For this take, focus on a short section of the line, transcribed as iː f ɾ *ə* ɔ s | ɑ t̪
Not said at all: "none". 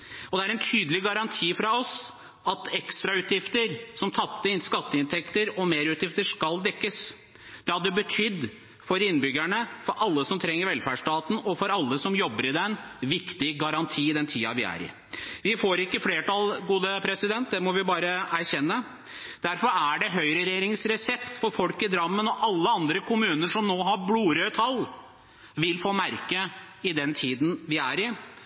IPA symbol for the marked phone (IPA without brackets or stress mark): ɑ